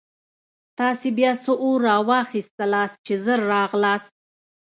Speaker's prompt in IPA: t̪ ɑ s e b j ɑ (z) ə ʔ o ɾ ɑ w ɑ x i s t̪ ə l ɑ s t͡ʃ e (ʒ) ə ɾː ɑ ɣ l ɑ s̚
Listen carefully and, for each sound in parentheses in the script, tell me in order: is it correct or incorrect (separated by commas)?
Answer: incorrect, incorrect